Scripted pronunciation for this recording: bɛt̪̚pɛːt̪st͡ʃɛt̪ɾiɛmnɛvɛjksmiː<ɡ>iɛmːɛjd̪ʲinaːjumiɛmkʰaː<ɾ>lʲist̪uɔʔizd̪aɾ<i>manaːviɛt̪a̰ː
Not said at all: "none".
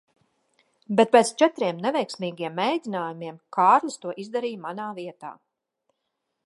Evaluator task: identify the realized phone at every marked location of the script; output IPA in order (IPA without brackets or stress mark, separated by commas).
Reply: ɡ, ɾ, iː